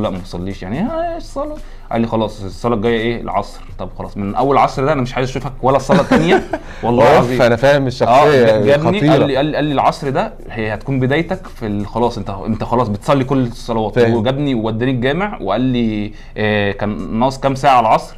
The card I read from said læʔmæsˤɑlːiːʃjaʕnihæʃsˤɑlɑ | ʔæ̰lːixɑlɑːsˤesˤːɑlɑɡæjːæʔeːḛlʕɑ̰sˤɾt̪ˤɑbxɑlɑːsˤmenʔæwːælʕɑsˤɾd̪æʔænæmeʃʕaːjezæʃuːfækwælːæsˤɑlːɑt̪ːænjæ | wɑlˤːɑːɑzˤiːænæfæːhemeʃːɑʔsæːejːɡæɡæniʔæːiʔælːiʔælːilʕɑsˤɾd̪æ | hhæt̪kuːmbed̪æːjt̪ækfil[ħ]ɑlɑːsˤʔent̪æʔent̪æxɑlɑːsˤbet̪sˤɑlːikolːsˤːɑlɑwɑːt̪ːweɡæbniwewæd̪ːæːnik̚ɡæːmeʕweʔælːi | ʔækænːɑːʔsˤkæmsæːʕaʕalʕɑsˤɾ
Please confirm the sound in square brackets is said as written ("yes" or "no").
no